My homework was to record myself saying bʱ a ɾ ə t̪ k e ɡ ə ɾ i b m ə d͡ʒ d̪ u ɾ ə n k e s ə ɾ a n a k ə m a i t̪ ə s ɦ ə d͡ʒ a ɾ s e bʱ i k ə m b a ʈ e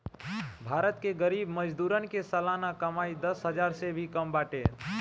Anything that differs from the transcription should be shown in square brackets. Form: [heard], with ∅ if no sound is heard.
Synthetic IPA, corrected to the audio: bʱ a ɾ ə t̪ k e ɡ ə ɾ i b m ə d͡ʒ d̪ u ɾ ə n k e s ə [l] a n a k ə m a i [d̪] ə s ɦ ə d͡ʒ a ɾ s e bʱ i k ə m b a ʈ e